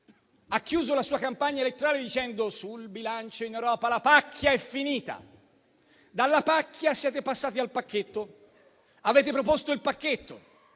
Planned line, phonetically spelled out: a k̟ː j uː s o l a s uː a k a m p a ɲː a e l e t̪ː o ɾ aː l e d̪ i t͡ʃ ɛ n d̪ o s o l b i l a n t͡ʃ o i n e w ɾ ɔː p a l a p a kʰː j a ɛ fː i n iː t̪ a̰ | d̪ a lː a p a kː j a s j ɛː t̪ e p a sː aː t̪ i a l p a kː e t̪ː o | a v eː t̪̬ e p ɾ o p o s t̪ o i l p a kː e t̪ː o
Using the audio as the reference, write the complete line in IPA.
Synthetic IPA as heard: a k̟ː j uː z o l a s uː a k a m p a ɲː a e l e t̪ː o ɾ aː l e d̪ i t͡ʃ ɛ n d̪ o s u l b i l a n t͡ʃ o i n e w ɾ ɔː p a l a p a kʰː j a ɛ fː i n iː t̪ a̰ | d̪ a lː a p a kː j a s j ɛː t̪ e p a sː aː t̪ i a l p a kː e t̪ː o | a v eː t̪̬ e p ɾ o p o s t̪ o i l p a kː e t̪ː o